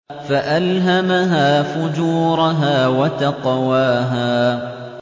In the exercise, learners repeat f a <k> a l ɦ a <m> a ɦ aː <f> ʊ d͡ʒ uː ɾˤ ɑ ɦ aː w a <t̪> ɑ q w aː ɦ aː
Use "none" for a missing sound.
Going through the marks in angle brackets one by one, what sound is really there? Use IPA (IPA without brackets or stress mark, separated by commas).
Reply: ʔ, m, f, t̪